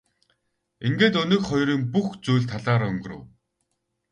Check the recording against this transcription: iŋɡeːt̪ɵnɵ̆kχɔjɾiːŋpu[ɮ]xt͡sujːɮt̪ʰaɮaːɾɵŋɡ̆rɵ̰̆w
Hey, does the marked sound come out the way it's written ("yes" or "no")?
no